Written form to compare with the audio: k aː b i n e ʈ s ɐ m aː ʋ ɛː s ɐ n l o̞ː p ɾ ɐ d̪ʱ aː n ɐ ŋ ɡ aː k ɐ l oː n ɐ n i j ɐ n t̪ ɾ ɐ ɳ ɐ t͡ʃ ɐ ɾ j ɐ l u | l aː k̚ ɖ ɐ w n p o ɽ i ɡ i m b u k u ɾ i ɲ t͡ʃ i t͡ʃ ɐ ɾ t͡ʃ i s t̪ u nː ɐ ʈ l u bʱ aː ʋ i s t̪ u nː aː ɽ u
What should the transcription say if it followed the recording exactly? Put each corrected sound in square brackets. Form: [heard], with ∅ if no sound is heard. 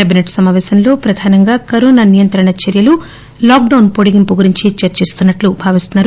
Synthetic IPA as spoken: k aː b i n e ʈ s ɐ m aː ʋ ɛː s ɐ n l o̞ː p ɾ ɐ d̪ʱ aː n ɐ ŋ ɡ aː k ɐ [ɾ] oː n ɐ n i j ɐ n t̪ ɾ ɐ ɳ ɐ t͡ʃ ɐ ɾ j ɐ l u | l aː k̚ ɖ ɐ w n p o ɽ i ɡ i m [p] u [ɡ] u ɾ i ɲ t͡ʃ i t͡ʃ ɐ ɾ t͡ʃ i s t̪ u nː ɐ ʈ l u bʱ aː ʋ i s t̪ u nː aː [ɾ] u